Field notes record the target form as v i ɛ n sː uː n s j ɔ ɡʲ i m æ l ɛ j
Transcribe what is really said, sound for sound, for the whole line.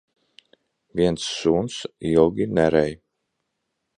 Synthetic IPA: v i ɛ n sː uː n s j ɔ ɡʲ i n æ ɾ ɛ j